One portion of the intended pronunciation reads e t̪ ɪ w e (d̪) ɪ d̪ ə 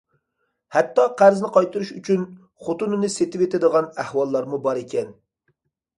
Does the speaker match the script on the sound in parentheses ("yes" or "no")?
no